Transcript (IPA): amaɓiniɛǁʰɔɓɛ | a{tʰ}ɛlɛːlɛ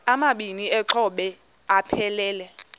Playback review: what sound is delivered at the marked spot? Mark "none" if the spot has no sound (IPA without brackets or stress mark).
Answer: pʰ